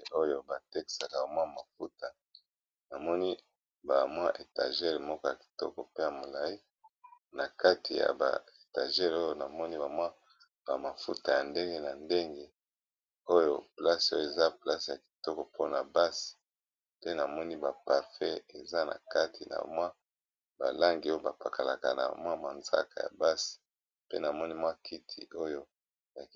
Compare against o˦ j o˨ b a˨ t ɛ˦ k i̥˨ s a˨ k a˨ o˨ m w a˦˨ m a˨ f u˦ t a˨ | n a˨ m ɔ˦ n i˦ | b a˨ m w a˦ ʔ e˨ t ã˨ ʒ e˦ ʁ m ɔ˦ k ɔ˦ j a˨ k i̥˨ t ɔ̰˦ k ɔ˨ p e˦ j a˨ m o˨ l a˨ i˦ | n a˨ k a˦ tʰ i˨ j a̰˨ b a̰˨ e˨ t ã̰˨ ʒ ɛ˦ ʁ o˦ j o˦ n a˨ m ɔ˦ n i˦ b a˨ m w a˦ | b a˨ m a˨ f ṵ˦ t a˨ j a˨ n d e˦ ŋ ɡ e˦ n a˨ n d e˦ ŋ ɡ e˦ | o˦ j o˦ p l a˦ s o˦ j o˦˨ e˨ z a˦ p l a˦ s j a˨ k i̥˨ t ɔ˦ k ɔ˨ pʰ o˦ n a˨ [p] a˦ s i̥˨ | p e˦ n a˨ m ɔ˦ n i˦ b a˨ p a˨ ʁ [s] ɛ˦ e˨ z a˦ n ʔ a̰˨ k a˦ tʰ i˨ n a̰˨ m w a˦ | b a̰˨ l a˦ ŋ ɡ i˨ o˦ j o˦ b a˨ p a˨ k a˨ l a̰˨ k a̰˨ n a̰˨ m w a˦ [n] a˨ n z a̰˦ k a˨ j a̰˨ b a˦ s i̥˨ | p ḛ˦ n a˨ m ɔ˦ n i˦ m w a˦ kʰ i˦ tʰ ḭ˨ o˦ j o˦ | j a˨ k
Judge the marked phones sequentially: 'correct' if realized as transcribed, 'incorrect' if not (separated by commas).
incorrect, incorrect, incorrect